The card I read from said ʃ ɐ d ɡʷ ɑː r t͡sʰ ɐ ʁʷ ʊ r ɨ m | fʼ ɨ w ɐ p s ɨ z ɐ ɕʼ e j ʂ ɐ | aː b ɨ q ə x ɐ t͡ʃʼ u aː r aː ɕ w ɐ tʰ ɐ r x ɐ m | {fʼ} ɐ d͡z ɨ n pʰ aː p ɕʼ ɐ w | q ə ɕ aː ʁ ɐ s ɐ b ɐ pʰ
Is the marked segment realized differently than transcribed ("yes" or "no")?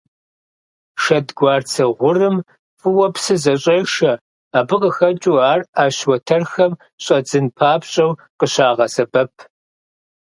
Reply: yes